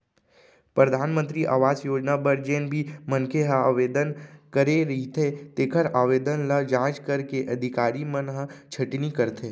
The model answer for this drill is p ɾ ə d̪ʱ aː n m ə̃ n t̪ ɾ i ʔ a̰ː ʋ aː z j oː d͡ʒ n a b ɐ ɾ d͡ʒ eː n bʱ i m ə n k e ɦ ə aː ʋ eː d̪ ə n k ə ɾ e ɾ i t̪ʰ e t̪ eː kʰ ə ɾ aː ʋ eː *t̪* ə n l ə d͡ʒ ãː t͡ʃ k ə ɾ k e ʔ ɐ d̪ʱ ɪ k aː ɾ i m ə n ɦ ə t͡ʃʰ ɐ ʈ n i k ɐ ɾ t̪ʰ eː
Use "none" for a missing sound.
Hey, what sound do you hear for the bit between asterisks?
d̪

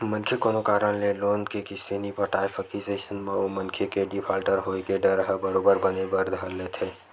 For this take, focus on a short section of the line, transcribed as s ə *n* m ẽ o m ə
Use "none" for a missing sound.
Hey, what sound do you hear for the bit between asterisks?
n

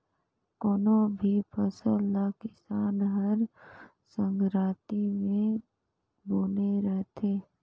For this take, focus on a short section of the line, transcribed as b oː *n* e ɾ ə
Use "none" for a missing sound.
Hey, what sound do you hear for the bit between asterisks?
n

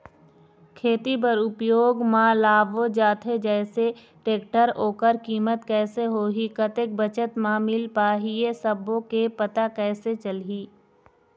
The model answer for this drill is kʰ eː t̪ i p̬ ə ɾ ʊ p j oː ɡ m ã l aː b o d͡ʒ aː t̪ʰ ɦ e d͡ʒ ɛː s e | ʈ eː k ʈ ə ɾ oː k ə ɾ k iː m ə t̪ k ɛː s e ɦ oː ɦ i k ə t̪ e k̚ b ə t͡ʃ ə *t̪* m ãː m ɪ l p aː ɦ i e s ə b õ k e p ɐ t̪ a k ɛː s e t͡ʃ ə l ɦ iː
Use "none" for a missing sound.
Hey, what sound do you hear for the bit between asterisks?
t̪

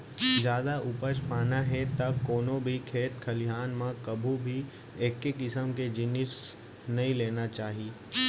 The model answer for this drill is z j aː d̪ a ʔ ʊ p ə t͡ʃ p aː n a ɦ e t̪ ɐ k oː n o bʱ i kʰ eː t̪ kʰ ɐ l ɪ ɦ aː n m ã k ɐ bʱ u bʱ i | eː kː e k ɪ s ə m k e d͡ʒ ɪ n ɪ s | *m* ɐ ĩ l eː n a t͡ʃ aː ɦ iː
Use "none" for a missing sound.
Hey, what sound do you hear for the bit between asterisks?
n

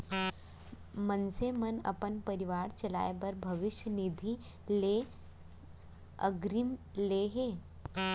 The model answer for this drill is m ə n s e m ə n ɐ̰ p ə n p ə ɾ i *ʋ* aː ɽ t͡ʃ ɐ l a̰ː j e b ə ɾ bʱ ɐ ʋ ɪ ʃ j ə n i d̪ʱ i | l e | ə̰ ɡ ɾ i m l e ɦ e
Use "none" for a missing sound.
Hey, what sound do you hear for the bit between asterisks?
ʋ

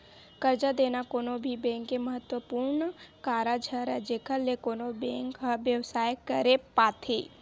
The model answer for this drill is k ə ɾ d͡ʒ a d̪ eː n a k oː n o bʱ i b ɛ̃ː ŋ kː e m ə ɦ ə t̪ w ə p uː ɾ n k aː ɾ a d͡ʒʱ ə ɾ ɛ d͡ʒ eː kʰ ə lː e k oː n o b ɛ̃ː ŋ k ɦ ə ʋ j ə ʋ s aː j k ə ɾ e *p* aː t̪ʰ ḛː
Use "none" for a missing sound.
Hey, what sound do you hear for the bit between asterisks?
p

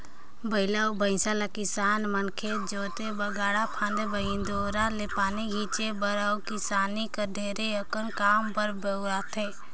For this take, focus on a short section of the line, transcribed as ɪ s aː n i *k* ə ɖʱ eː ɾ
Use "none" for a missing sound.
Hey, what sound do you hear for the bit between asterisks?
k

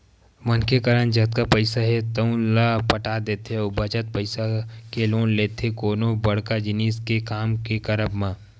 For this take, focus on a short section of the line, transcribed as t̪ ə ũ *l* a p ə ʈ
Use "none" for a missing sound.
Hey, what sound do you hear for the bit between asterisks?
l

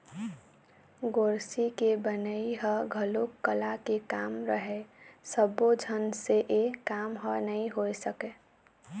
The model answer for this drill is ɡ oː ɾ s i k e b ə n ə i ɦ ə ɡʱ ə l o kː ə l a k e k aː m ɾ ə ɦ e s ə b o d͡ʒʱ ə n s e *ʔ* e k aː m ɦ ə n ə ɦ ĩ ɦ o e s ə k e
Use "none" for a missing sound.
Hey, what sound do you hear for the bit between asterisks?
ʔ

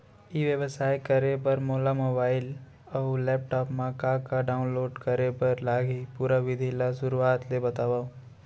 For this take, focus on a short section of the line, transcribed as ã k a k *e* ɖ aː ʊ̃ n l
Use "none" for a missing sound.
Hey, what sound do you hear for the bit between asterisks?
a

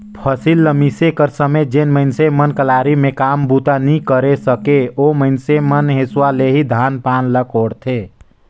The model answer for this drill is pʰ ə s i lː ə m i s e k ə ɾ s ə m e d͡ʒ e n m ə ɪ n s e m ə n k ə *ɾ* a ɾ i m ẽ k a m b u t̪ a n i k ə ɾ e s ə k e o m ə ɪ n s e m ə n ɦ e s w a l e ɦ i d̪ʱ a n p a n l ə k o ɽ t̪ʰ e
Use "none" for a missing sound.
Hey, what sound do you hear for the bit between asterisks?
l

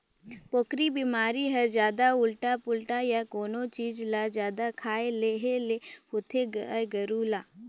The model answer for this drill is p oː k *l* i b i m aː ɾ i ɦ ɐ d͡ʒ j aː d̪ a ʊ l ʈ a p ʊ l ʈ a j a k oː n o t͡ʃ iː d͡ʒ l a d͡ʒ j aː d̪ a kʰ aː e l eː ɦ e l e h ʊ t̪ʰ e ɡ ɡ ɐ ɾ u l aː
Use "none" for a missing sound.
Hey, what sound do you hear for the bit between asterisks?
ɾ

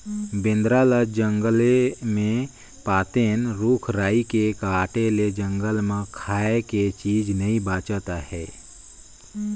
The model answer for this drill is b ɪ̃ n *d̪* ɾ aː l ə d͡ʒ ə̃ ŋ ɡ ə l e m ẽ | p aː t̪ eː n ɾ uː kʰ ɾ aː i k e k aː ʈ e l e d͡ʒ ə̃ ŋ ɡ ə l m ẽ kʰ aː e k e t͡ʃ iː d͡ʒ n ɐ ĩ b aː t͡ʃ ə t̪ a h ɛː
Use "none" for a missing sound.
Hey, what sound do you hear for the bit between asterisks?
d̪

